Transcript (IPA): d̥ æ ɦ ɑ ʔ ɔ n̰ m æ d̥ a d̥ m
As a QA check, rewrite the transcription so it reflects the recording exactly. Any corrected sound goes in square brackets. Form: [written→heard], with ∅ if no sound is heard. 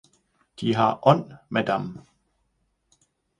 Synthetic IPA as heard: d̥ [æ→i] ɦ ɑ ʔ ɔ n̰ m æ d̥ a [d̥→∅] m

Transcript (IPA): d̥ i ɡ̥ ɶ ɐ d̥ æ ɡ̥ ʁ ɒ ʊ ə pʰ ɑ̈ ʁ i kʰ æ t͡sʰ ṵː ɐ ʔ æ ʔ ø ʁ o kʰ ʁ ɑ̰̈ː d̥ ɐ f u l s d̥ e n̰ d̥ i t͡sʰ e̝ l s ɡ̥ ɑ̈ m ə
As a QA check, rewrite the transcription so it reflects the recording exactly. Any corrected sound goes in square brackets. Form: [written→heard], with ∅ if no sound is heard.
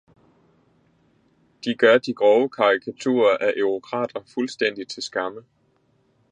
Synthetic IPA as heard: d̥ i ɡ̥ ɶ ɐ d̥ [æ→i] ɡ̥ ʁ ɒ ʊ ə [pʰ→kʰ] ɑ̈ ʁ i kʰ æ t͡sʰ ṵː ɐ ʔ æ ʔ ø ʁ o kʰ ʁ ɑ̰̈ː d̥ ɐ f u l s d̥ e n̰ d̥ i t͡sʰ e̝ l s ɡ̥ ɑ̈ m ə

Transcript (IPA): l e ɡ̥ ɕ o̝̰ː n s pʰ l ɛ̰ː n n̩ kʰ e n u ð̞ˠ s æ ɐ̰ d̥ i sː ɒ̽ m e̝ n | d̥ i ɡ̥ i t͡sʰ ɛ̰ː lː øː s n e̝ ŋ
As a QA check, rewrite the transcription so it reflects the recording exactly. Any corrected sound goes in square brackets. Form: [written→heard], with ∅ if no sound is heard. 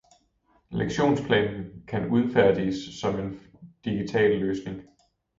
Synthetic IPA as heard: l e ɡ̥ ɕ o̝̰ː n s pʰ l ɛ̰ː n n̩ kʰ [e→æ] n u ð̞ˠ [s→f] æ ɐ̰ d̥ i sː ɒ̽ m e̝ n | d̥ i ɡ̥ i t͡sʰ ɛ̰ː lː øː s n e̝ ŋ

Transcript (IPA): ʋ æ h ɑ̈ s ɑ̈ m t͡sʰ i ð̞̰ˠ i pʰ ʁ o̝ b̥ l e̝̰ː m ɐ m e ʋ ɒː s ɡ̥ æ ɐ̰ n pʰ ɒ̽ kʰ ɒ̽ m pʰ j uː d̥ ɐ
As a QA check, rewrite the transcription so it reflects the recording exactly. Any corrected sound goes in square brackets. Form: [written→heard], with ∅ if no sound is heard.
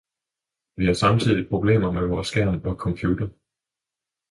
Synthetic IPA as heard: ʋ [æ→i] h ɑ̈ s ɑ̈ m t͡sʰ i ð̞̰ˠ i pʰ ʁ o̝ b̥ l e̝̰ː m ɐ m e ʋ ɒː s ɡ̥ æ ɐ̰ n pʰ ɒ̽ kʰ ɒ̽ m pʰ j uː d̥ ɐ

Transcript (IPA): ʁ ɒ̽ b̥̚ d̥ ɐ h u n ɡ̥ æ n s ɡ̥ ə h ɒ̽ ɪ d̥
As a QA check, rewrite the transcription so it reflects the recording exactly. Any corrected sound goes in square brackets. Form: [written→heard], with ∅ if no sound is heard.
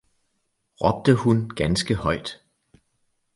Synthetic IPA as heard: ʁ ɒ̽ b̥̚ d̥ [ɐ→ə] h u n ɡ̥ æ n s ɡ̥ ə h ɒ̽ ɪ d̥

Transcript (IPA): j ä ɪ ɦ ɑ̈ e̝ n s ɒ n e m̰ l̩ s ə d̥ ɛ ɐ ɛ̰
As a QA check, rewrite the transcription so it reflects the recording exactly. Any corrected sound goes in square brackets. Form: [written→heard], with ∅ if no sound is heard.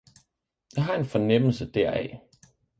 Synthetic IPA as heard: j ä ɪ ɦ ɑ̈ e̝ n [s→f] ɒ n e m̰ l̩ s ə d̥ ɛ ɐ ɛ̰

